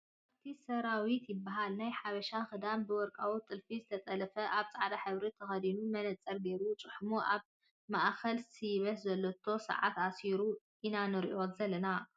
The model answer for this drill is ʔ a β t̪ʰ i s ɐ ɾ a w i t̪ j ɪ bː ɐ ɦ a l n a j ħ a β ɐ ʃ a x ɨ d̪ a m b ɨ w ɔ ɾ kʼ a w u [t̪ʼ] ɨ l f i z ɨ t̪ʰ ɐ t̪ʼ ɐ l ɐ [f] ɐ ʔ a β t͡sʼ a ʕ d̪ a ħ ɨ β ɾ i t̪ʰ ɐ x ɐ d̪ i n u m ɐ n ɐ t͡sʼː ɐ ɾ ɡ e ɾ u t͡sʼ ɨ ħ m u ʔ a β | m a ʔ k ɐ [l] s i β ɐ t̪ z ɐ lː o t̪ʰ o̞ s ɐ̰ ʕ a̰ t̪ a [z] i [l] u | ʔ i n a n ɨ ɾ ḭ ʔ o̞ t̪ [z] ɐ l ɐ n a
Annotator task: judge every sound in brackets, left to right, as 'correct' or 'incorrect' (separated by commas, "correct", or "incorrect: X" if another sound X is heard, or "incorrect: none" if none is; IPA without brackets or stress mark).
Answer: correct, correct, correct, incorrect: s, incorrect: ɾ, correct